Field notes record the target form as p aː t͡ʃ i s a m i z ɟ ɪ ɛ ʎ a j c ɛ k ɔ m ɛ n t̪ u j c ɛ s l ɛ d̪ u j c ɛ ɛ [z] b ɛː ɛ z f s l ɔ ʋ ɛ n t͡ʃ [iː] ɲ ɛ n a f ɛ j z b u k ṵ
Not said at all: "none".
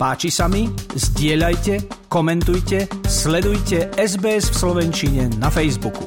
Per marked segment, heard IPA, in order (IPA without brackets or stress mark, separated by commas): z, i